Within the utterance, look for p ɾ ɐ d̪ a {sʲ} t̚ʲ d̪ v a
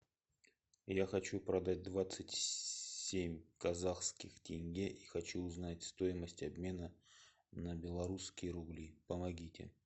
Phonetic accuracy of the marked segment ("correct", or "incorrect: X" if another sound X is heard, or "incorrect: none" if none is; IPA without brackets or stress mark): incorrect: none